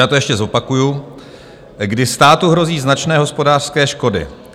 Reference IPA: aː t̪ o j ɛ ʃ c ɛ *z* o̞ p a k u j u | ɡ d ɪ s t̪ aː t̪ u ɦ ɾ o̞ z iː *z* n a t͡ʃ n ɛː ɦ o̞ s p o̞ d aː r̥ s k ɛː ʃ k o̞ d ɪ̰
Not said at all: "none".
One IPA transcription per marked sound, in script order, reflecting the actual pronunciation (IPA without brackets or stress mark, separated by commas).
z, z